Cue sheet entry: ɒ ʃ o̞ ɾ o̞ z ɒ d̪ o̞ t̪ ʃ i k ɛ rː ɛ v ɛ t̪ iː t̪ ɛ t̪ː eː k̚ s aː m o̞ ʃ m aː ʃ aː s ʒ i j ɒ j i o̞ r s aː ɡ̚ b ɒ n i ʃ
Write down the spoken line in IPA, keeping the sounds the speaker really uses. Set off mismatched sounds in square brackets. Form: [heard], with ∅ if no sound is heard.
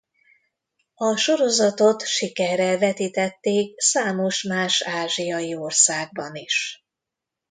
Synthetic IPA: ɒ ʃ o̞ ɾ o̞ z ɒ [t̪] o̞ t̪ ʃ i k ɛ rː ɛ v ɛ t̪ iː t̪ ɛ t̪ː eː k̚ s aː m o̞ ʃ m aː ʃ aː [∅] ʒ i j ɒ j i o̞ r s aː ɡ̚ b ɒ n i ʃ